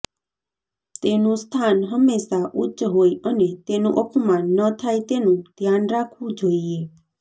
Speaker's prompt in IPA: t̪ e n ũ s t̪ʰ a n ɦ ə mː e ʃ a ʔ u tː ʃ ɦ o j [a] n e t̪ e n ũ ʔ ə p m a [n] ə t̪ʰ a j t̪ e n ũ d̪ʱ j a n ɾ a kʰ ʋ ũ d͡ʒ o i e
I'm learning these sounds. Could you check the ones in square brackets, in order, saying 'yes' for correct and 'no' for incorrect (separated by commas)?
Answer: no, no